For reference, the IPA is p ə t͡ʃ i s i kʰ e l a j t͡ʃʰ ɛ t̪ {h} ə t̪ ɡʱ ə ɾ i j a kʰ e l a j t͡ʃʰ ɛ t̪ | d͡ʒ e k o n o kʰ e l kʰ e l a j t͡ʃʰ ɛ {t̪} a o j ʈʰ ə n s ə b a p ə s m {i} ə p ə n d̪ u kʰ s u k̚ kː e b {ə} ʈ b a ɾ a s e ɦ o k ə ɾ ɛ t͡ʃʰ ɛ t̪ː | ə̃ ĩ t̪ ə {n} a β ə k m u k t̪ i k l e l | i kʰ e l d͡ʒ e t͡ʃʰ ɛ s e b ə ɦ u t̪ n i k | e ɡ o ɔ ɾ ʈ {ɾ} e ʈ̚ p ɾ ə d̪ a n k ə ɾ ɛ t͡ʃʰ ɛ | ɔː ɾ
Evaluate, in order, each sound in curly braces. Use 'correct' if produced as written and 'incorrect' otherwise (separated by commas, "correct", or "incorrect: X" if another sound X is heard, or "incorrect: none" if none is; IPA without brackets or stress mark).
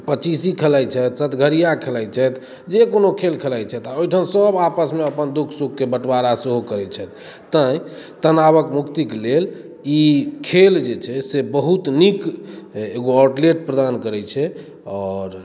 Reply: incorrect: s, correct, incorrect: e, correct, correct, incorrect: l